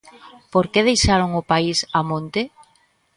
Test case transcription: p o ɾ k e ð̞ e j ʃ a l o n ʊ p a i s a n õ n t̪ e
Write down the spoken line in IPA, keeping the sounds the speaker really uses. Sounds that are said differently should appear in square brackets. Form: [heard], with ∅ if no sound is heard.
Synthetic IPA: p o ɾ k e ð̞ e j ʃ a [ɾ] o [ŋ] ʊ p a i s a [m] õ n t̪ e